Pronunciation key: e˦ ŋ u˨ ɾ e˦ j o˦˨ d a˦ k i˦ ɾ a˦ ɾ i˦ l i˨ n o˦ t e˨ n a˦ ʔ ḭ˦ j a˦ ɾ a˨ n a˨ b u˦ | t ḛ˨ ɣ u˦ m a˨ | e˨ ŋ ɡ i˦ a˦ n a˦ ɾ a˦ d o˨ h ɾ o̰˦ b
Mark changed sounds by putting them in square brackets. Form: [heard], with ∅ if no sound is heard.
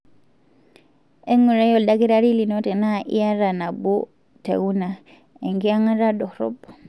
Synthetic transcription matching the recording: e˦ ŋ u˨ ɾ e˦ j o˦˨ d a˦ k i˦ ɾ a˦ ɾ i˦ l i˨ n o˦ t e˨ n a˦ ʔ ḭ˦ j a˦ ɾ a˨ n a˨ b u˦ | t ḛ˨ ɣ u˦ [n] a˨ | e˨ ŋ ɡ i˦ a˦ [ŋ] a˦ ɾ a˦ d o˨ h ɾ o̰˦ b